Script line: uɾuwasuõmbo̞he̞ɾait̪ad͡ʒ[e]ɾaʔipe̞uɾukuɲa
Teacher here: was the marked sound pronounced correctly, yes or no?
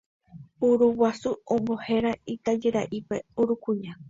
yes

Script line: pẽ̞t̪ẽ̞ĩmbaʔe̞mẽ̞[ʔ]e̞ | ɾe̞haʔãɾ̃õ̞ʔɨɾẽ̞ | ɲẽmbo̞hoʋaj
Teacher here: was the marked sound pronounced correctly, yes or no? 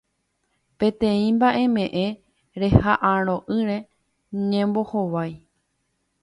yes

